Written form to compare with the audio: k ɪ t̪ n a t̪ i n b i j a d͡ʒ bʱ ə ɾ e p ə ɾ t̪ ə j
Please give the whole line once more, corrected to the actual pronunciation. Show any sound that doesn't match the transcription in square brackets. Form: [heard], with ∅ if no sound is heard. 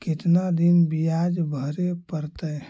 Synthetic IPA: k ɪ t̪ n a [d̪] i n b i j a d͡ʒ bʱ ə ɾ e p ə ɾ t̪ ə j

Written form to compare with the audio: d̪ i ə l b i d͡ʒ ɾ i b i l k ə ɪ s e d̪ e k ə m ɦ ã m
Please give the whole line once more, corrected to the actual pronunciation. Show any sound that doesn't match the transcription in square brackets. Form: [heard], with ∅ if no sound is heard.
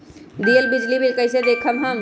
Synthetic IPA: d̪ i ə l b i d͡ʒ [l] i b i l k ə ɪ s e d̪ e [kʰ] ə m ɦ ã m

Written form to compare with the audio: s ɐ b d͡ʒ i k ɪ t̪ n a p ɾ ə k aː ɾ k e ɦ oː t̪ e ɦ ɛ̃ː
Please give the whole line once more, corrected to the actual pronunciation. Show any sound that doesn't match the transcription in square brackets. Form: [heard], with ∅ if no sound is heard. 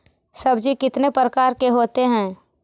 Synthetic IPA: s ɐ b d͡ʒ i k ɪ t̪ n [e] p ɾ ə k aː ɾ k e ɦ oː t̪ e ɦ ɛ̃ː

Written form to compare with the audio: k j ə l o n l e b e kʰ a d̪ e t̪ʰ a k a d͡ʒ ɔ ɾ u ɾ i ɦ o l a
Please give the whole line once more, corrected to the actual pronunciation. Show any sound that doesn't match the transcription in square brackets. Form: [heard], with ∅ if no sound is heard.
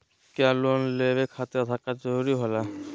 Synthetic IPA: k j [a] l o n l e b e kʰ a [t̪] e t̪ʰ a k a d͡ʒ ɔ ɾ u ɾ i ɦ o l a

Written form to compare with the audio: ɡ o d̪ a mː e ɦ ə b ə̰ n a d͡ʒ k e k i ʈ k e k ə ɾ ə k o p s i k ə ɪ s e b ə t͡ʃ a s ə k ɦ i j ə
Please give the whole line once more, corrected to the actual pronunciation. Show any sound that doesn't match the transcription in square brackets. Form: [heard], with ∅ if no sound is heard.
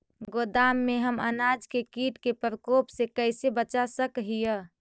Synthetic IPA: ɡ o d̪ a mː e ɦ ə [m] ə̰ n a d͡ʒ k e k i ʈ k e [p] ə ɾ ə k o p s [e] k ə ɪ s e b ə t͡ʃ a s ə k ɦ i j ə

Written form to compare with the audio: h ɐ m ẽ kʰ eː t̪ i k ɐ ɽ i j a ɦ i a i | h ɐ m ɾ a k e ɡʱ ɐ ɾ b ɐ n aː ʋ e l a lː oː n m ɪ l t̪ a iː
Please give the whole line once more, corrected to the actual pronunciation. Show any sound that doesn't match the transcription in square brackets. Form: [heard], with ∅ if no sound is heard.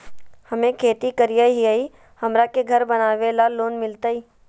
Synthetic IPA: h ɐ m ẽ kʰ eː t̪ i k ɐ [ɾ] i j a ɦ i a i | h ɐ m ɾ a k e ɡʱ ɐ ɾ b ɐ n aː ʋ e l a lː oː n m ɪ l t̪ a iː

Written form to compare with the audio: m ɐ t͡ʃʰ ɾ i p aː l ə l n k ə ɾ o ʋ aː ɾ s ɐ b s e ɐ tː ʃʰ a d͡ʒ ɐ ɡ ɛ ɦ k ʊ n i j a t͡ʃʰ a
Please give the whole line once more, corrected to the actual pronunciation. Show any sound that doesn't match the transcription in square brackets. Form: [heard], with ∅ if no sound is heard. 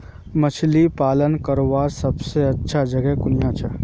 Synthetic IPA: m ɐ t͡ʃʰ [l] i p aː l ə [∅] n k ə ɾ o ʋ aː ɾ s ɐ b s e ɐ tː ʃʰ a d͡ʒ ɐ ɡ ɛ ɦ k ʊ n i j a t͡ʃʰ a

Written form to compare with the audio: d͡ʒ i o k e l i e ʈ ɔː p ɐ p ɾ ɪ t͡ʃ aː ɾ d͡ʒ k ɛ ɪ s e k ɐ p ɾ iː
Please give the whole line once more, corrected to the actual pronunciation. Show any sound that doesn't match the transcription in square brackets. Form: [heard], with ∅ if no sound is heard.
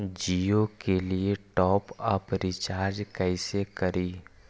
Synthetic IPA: d͡ʒ i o k e l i e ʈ ɔː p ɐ p ɾ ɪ t͡ʃ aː ɾ d͡ʒ k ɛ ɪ s e k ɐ [∅] ɾ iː

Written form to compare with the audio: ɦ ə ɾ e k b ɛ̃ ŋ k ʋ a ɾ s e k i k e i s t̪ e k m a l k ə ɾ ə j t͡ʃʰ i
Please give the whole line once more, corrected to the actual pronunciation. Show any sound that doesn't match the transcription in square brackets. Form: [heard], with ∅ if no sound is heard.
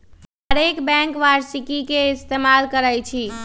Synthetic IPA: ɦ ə ɾ e k b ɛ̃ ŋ k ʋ a ɾ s [i] k i k e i s t̪ e [∅] m a l k ə ɾ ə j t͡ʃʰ i

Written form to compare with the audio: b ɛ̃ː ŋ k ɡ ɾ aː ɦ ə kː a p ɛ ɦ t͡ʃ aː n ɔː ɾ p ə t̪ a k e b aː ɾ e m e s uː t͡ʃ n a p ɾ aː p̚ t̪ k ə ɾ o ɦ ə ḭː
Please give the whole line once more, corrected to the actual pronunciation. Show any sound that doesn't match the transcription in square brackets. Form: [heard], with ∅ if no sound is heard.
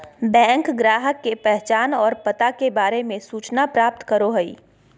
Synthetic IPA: b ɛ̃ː ŋ k ɡ ɾ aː ɦ ə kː [e] p ɛ ɦ t͡ʃ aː n ɔː ɾ p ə t̪ a k e b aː ɾ e m [ẽ] s uː t͡ʃ n a p ɾ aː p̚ t̪ k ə ɾ o ɦ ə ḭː

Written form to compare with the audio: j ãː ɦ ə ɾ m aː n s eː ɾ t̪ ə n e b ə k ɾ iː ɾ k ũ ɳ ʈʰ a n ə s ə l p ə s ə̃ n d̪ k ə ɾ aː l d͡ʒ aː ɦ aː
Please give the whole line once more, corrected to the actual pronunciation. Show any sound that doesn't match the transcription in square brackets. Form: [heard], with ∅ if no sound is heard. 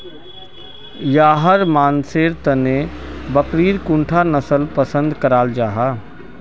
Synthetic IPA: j [aː] ɦ ə ɾ m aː n s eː ɾ t̪ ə n e b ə k ɾ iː ɾ k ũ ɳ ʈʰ a n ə s ə l p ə s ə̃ n d̪ k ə ɾ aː l d͡ʒ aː ɦ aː

